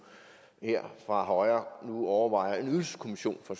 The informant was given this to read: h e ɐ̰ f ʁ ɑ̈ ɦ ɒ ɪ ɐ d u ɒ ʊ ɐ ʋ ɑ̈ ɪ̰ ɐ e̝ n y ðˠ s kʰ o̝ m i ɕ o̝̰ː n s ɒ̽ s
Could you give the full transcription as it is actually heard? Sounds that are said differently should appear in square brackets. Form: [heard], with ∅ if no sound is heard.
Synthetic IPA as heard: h e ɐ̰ f ʁ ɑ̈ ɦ ɒ ɪ ɐ [n] u ɒ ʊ ɐ ʋ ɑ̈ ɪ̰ ɐ e̝ n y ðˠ s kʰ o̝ m i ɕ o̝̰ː n [f] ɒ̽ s